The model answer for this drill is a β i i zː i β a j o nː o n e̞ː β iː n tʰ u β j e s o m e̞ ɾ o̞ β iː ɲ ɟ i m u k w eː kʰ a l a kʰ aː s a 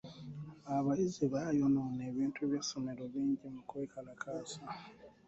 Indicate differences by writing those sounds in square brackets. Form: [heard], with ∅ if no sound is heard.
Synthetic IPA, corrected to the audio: a β [a] i [z] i β a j o [n] o n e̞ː β iː n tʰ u β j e s o m e̞ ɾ o̞ β iː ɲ ɟ i m u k w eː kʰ a l a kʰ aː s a